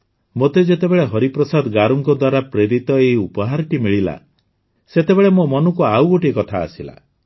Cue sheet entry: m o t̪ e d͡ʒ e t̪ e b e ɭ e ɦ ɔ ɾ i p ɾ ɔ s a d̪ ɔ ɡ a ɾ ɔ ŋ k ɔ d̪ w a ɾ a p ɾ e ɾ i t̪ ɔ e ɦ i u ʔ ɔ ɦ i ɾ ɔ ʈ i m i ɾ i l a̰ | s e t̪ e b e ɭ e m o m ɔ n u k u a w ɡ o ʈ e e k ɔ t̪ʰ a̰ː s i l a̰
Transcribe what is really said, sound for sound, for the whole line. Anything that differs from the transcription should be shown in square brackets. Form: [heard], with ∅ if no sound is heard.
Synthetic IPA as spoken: m o t̪ e d͡ʒ e t̪ e b e ɭ e ɦ ɔ ɾ i p ɾ ɔ s a d̪ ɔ ɡ a ɾ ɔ ŋ k ɔ d̪ w a ɾ a p ɾ e ɾ i t̪ ɔ e ɦ i u [p] ɔ ɦ [a] ɾ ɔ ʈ i m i [ɭ] i l a̰ | s e t̪ e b e ɭ e m o m ɔ n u k u a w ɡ o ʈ [i] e k ɔ t̪ʰ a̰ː s i l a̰